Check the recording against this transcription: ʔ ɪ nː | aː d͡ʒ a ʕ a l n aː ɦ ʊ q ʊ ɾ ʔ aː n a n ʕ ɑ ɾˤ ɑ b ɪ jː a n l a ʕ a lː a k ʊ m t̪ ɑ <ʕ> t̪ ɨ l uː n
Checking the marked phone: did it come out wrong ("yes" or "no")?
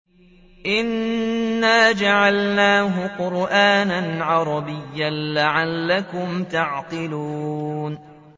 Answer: no